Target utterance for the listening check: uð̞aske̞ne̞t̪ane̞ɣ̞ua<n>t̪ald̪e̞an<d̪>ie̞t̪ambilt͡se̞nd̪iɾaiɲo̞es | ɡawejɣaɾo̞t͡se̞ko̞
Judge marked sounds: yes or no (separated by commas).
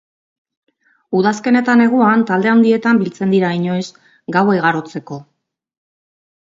yes, yes